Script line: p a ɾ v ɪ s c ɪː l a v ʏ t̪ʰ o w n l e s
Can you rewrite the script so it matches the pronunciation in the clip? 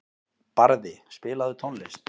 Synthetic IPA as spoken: p a ɾ ð ɪ s p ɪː l a ð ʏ t̪ʰ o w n l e s